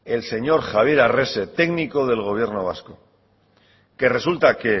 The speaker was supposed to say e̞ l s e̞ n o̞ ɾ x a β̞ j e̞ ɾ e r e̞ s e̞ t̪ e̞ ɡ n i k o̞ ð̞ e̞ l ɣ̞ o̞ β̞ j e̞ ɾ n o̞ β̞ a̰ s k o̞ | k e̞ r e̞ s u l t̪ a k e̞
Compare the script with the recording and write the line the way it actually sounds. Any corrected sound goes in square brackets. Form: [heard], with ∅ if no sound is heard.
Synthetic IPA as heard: e̞ l s e̞ [ɲ] o̞ ɾ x a β̞ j e̞ ɾ [a] r e̞ s e̞ t̪ e̞ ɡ n i k o̞ ð̞ e̞ l ɣ̞ o̞ β̞ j e̞ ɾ n o̞ β̞ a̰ s k o̞ | k e̞ r e̞ s u l t̪ a k e̞